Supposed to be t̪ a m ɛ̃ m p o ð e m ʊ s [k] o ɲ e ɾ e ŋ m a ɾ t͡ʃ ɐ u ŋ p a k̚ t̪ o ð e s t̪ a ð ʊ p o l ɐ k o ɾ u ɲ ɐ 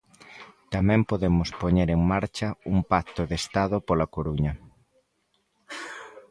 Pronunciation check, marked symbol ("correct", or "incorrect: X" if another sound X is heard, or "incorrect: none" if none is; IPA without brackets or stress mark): incorrect: p